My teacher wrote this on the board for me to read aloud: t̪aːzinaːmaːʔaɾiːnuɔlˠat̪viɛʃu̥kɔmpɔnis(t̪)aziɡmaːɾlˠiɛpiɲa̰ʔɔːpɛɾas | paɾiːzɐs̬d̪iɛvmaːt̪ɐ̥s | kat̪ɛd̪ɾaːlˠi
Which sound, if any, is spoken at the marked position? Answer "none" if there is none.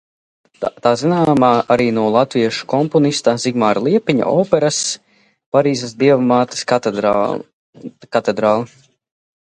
t̪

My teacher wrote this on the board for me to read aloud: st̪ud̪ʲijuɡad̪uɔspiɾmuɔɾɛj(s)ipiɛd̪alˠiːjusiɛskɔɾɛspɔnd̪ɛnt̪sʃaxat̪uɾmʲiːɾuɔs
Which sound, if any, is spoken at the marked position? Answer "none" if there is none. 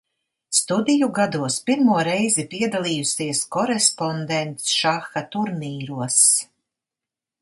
z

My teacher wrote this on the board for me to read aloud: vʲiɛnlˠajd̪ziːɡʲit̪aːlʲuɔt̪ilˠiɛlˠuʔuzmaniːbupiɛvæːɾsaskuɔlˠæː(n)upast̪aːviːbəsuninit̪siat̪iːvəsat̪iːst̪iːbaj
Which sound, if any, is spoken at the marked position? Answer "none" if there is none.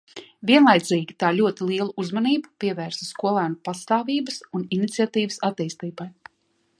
n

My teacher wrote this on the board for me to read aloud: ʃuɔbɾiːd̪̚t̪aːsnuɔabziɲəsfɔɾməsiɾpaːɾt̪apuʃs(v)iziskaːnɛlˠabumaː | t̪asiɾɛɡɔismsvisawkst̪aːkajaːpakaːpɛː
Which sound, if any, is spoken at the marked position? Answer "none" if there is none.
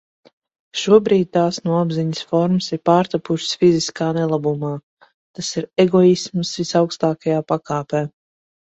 f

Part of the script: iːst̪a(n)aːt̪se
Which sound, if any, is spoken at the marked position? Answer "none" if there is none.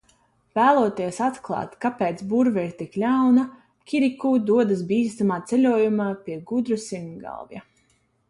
m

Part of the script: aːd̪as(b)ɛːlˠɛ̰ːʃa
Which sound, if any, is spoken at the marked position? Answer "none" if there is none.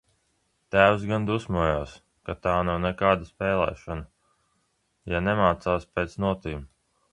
p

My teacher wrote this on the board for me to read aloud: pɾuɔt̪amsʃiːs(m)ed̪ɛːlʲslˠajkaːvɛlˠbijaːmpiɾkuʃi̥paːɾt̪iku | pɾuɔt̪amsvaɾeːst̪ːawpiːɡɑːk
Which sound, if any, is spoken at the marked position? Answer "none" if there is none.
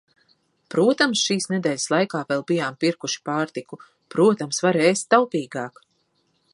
n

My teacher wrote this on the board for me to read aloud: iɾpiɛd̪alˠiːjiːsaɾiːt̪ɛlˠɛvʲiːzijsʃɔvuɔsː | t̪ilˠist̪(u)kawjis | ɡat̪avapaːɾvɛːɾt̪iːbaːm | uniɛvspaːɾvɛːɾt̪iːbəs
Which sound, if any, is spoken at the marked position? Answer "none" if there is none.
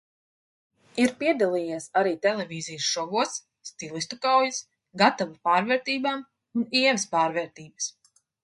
u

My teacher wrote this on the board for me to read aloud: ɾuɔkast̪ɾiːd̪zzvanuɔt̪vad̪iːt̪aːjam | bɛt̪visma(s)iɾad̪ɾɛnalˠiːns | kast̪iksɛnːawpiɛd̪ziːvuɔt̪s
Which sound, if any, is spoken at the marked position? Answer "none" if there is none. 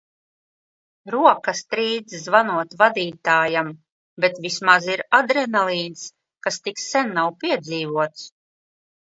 z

